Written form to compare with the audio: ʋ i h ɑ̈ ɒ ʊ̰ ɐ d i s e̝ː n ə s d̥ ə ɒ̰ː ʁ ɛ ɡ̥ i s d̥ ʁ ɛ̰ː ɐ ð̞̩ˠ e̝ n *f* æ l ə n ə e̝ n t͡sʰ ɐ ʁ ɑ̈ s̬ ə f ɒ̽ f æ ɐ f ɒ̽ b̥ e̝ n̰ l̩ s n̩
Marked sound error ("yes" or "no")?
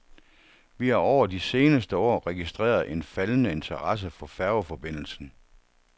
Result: no